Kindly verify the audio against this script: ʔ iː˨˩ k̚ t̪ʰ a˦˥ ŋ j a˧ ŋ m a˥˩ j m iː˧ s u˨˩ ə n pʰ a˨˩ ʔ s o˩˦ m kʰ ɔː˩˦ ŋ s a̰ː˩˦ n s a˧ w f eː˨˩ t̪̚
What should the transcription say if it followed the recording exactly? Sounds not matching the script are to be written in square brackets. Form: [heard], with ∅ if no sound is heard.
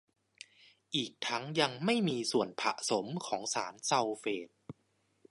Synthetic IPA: ʔ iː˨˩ k̚ t̪ʰ a˦˥ ŋ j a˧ ŋ m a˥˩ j m iː˧ s u˨˩ ə n pʰ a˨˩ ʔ s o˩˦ m kʰ ɔː˩˦ ŋ s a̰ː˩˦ n s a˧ w f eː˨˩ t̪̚